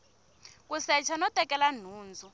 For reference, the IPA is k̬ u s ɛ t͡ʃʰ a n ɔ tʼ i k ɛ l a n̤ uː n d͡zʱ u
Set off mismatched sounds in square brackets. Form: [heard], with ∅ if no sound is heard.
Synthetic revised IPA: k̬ u s ɛ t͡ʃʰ a n ɔ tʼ [ɛ] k ɛ l a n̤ uː n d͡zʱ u